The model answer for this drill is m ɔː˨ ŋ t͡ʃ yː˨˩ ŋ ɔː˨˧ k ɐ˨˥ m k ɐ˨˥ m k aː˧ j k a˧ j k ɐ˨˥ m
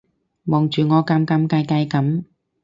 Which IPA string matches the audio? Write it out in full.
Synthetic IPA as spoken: m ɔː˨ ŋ t͡ʃ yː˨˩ ŋ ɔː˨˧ k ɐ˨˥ m k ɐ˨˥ m k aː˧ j k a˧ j k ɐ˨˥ m